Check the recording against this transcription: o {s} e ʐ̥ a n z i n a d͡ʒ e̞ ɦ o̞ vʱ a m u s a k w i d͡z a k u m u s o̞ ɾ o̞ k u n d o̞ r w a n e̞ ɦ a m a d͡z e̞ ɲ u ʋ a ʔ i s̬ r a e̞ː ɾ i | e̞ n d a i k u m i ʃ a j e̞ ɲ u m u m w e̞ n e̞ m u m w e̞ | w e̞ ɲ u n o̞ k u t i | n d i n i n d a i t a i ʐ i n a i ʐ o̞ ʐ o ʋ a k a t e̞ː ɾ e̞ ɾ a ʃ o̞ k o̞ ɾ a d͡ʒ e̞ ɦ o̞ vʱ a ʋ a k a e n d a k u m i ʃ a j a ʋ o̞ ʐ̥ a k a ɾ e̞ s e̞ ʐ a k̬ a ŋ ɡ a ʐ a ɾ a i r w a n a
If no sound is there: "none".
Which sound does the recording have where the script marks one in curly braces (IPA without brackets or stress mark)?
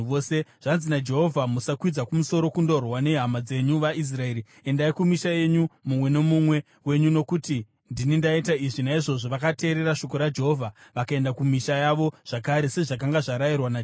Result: s